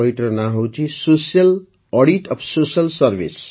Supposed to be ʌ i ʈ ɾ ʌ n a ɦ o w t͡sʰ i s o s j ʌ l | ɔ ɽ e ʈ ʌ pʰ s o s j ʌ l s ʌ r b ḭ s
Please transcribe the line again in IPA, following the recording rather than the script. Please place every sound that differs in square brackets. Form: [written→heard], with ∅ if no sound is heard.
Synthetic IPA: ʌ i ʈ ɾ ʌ n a ɦ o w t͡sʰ i s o s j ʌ l | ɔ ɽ [e→i] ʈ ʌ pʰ s o s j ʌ l s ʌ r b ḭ s